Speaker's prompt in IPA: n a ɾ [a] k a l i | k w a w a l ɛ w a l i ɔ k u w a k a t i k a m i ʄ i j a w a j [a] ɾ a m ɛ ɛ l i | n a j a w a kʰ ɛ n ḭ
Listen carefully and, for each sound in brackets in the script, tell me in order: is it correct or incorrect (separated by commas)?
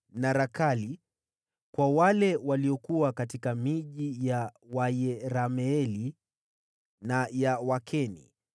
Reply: correct, incorrect